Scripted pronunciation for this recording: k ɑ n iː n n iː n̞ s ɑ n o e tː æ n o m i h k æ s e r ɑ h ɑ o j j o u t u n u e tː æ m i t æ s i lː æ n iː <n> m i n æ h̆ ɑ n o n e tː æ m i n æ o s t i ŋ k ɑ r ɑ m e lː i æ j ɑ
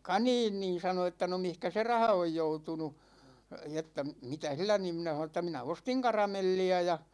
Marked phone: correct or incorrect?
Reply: incorrect